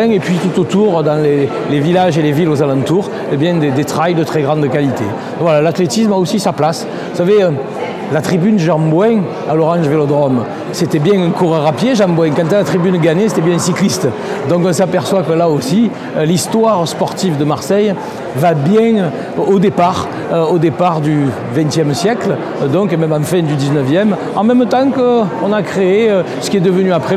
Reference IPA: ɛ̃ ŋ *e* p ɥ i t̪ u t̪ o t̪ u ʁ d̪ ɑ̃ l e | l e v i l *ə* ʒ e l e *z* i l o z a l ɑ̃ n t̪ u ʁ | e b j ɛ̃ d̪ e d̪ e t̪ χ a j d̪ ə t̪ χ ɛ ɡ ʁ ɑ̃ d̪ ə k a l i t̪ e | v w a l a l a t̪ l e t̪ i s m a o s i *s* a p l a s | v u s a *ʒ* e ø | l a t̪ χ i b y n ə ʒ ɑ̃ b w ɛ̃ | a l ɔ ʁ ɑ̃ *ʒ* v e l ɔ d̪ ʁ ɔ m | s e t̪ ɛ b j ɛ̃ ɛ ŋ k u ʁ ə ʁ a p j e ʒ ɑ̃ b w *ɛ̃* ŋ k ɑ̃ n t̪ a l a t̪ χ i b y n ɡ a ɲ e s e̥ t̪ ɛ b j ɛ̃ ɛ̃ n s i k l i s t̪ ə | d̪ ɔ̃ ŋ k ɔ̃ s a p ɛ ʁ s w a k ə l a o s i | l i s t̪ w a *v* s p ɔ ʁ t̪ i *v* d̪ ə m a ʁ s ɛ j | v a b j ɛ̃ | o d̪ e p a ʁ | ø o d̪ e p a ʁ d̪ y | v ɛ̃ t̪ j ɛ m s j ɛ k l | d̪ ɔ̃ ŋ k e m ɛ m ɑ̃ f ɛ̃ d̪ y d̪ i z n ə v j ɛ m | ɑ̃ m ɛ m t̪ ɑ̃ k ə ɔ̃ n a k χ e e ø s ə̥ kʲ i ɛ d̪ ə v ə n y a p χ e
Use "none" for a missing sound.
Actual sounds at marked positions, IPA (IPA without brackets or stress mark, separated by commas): e, a, v, s, v, ʒ, ɛ̃, ʁ, v